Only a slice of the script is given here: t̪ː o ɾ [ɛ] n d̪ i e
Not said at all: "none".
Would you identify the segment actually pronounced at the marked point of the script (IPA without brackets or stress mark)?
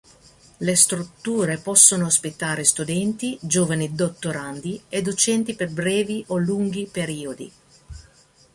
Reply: a